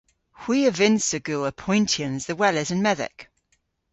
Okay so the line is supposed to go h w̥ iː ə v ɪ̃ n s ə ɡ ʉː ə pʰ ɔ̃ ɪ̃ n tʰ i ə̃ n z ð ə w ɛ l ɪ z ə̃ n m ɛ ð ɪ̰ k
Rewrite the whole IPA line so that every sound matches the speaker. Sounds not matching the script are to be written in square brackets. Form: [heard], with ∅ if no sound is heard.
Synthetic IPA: h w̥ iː ə v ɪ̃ n s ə ɡ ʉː ə pʰ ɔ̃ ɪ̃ n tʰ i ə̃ n z ð ə w ɛ l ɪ z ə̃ n m ɛ ð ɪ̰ k